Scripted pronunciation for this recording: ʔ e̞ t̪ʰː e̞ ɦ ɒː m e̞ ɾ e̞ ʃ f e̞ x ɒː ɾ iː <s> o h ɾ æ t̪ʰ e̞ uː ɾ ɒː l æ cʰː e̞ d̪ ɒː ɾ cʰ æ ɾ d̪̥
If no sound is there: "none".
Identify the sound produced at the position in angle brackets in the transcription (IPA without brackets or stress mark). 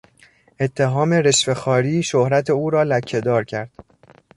ʃ